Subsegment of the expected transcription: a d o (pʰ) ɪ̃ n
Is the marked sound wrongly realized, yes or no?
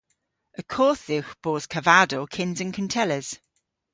yes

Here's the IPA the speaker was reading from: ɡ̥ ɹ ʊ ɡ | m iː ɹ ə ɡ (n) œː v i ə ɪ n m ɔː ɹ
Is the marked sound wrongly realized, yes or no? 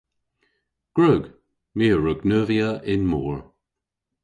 no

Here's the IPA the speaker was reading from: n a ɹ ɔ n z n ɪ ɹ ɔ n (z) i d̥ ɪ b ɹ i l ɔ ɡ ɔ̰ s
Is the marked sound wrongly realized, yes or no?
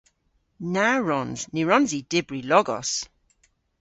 no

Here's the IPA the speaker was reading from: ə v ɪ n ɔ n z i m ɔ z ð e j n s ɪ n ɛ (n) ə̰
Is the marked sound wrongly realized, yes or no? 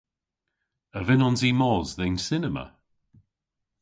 yes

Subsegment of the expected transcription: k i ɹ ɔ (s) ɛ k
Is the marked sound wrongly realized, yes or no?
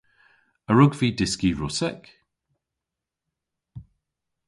no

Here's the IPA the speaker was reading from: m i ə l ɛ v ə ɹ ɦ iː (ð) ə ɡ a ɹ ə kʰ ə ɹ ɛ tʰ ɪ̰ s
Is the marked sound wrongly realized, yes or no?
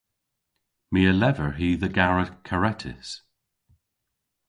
no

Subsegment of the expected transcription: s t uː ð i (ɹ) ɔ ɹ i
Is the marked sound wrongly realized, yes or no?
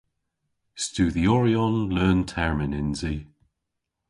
yes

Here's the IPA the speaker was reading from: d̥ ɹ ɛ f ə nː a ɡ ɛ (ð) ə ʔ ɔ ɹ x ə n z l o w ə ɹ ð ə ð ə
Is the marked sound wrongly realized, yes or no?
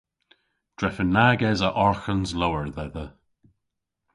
yes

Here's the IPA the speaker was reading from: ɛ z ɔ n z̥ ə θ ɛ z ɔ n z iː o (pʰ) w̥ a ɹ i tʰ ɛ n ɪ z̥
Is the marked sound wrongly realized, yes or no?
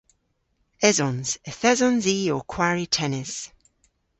yes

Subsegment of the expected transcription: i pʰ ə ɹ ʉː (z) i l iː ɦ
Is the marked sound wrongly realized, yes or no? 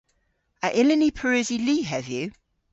no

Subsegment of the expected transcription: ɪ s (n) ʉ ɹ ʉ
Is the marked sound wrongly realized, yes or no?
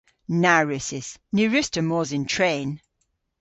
no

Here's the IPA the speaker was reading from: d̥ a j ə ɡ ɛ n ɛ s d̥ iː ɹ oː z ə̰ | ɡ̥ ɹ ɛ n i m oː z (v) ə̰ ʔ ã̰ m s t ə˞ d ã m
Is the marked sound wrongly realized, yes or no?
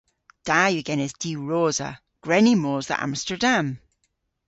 yes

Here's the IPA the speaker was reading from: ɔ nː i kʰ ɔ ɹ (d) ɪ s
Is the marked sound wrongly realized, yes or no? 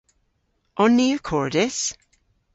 no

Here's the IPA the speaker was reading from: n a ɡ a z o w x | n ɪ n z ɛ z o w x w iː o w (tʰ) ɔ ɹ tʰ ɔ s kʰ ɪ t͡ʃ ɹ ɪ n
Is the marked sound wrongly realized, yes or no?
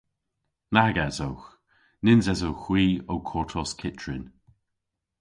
yes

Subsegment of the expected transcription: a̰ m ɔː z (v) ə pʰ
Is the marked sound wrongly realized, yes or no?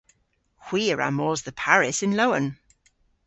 yes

